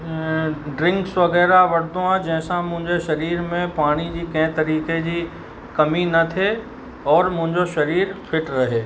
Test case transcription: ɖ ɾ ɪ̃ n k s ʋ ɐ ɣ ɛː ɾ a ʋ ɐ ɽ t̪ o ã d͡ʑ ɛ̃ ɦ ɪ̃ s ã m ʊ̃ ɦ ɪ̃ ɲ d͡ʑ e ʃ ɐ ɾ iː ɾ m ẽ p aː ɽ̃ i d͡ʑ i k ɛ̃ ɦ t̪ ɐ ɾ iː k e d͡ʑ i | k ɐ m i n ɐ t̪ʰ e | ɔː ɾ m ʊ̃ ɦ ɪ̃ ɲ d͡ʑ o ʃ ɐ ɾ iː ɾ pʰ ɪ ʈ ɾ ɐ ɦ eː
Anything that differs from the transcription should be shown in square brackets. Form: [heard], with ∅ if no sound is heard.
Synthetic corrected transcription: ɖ ɾ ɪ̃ [ŋ] k s ʋ ɐ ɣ ɛː ɾ a ʋ ɐ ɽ [d̪] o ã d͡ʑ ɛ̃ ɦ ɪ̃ s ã m ʊ̃ ɦ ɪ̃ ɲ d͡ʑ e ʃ ɐ ɾ iː ɾ m ẽ p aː ɽ̃ i d͡ʑ i k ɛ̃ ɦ t̪ ɐ ɾ iː k e d͡ʑ i | k ɐ m i n ɐ t̪ʰ e | ɔː ɾ m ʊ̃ ɦ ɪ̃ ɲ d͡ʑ o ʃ ɐ ɾ iː ɾ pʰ ɪ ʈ ɾ ɐ ɦ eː